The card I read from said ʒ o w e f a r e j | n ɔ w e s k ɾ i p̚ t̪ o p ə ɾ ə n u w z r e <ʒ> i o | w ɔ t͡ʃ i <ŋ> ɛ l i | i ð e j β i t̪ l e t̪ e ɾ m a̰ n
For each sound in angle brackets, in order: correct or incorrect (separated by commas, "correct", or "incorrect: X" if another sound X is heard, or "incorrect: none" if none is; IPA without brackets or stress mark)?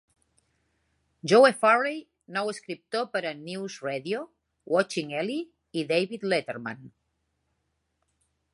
incorrect: ð, correct